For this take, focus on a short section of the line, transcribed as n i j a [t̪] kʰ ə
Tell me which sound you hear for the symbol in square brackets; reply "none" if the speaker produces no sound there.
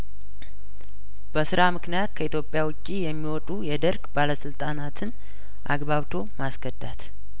t̪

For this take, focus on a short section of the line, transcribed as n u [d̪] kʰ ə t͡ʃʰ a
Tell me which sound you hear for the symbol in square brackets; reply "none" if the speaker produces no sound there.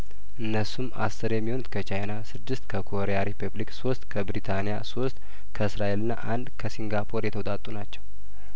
t̪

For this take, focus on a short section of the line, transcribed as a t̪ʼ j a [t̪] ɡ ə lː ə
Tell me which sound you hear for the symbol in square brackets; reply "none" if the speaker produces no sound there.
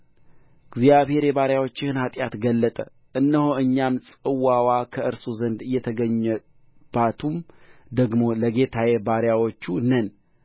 t̪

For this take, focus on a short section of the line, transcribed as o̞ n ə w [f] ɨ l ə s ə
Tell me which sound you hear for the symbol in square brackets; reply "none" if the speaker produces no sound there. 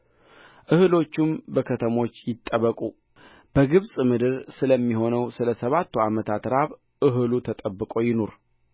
s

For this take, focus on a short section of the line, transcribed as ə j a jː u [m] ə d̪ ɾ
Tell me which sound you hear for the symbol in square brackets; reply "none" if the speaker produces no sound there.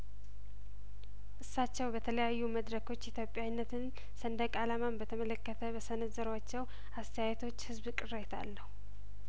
m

